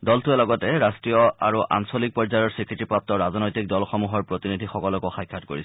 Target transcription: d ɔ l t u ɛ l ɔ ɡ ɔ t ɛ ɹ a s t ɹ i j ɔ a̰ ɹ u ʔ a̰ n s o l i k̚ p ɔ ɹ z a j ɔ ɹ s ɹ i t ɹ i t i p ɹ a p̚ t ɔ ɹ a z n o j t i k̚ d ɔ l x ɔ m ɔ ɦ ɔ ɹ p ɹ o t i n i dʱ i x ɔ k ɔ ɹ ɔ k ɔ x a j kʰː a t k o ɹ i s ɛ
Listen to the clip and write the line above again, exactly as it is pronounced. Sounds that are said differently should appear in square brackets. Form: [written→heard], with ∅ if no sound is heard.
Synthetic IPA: d ɔ l t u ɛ l ɔ ɡ ɔ t ɛ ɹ a s t ɹ i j ɔ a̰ ɹ u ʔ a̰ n s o l i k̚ p ɔ ɹ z a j ɔ ɹ s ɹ i [t→k] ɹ i t i p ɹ a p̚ t ɔ ɹ a z n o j t i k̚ d ɔ l x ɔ m [ɔ→u] ɦ ɔ ɹ p ɹ o t i n i dʱ i x ɔ k ɔ [ɹ→l] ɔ k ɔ x a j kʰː a t k o ɹ i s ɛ